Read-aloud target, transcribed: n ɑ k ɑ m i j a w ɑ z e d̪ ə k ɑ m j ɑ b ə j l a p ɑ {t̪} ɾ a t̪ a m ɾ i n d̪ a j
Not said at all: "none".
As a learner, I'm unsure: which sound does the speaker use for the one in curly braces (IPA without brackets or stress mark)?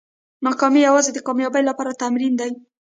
none